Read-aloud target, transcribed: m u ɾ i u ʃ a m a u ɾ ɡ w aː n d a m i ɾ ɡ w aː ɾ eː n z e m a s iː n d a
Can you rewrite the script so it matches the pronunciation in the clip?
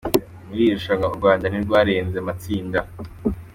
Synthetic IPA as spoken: m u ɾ i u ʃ a ŋ a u ɾ ɡ w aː n d a n i ɾ ɡ w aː ɾ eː n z e m a t͡s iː n d a